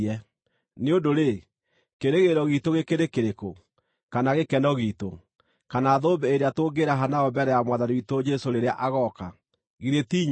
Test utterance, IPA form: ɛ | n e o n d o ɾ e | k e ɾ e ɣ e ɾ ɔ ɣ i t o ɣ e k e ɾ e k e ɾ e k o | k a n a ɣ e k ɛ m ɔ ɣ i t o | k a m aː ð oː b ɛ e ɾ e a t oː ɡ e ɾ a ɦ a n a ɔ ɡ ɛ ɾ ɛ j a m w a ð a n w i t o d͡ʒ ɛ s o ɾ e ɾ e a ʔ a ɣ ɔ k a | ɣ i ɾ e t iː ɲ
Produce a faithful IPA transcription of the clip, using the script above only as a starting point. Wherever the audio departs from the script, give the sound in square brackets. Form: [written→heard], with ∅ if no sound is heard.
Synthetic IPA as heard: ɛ | n e o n d o ɾ e | k e ɾ e ɣ e ɾ ɔ ɣ i t o ɣ e k e ɾ e k e ɾ e k o | k a n a ɣ e k ɛ [m→n] ɔ ɣ i t o | k a [m→n] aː ð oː b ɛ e ɾ e a t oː ɡ e ɾ a ɦ a n a ɔ [ɡ→b] ɛ ɾ ɛ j a m w a ð a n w i t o d͡ʒ ɛ s o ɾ e ɾ e a ʔ a ɣ ɔ k a | ɣ i ɾ e t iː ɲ